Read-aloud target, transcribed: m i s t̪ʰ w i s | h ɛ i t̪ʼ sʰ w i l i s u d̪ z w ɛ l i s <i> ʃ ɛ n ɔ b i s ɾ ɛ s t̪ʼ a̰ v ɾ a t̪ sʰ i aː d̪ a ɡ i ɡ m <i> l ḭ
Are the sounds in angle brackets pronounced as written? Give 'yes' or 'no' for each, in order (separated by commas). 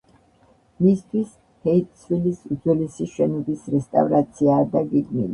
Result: yes, yes